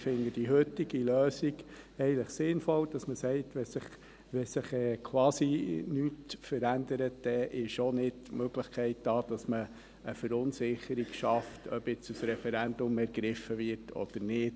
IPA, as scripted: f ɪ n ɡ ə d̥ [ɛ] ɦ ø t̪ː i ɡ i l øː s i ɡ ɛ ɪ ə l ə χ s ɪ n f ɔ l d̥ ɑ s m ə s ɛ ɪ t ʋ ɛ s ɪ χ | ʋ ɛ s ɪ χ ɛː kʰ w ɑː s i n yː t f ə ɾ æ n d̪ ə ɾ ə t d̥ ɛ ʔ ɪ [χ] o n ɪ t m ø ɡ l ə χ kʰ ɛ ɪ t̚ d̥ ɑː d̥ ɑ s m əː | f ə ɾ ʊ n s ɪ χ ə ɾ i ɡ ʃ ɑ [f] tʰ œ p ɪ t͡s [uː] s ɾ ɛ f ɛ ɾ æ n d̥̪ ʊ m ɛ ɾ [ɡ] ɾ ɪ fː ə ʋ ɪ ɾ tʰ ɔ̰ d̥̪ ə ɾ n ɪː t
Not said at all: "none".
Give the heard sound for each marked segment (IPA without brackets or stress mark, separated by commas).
i, ʃ, f, u, ɡ